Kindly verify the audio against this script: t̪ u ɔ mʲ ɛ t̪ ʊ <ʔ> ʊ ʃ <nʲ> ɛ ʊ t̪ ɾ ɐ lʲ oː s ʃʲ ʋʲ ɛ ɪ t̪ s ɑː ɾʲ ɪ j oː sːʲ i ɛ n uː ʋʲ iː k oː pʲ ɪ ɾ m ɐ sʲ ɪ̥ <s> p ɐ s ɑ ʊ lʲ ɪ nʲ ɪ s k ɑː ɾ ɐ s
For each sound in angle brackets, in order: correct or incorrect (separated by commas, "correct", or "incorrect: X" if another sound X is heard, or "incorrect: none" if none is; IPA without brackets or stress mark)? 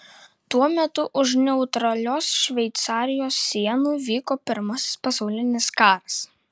correct, correct, correct